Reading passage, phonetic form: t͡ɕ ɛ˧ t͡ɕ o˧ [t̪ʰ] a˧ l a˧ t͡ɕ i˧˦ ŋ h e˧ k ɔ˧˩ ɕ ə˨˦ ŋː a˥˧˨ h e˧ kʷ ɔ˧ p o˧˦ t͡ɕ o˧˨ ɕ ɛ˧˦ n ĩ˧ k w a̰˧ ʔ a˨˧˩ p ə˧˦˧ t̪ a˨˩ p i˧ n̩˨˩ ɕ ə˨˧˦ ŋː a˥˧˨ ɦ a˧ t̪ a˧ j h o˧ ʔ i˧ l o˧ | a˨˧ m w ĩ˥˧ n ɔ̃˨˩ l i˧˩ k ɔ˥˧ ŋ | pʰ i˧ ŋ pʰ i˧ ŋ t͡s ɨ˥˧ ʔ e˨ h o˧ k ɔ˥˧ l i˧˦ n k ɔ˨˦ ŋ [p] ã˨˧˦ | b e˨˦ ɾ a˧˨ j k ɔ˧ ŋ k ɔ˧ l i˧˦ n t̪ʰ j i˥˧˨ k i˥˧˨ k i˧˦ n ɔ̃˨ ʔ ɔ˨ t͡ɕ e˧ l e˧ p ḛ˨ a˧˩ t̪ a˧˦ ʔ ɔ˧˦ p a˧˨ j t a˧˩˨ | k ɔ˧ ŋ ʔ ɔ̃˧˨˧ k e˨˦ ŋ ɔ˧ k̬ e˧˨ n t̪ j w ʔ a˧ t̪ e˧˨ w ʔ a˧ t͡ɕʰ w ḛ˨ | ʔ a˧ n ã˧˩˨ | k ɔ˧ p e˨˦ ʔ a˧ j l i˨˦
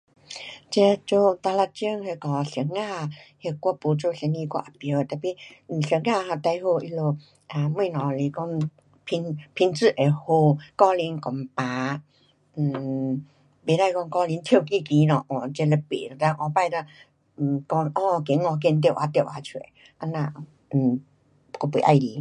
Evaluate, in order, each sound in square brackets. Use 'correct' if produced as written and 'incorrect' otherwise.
incorrect, correct

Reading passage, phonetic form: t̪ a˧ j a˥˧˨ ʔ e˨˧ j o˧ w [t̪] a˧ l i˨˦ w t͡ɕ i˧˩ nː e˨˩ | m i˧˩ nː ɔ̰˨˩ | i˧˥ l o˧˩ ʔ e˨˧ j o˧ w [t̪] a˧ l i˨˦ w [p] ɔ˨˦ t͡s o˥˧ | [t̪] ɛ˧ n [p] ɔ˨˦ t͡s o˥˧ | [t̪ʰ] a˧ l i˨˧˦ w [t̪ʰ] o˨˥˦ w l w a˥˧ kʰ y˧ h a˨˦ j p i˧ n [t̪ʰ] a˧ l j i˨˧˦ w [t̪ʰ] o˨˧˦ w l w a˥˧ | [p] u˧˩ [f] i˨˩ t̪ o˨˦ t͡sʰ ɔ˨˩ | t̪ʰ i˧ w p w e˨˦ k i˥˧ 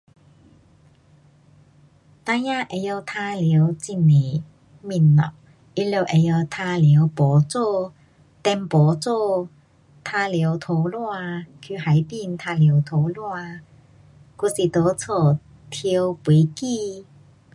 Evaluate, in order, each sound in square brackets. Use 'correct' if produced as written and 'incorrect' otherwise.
incorrect, incorrect, correct, correct, correct, correct, correct, correct, correct, incorrect, incorrect

